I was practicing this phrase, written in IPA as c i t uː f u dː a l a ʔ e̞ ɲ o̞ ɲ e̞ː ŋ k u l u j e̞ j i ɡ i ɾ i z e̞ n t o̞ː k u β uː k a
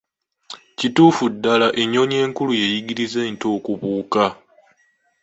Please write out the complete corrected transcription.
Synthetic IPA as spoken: c i t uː f u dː a l a ʔ e̞ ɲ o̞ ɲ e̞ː ŋ k u l u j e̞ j i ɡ i ɾ i z e̞ n t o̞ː k u β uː k a